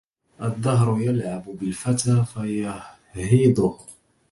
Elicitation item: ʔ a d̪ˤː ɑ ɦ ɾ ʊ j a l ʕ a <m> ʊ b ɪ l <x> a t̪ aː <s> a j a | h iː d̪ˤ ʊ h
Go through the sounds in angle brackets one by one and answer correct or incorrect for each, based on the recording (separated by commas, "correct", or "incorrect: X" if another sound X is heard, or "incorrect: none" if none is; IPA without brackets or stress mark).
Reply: incorrect: b, incorrect: f, incorrect: f